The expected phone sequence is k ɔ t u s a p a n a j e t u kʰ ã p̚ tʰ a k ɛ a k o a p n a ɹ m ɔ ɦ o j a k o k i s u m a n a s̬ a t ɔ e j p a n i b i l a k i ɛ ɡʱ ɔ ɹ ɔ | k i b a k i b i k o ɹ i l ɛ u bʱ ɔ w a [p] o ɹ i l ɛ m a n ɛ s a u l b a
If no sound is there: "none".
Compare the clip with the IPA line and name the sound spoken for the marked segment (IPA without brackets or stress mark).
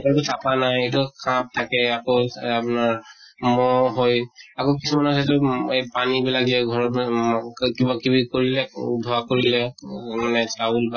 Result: k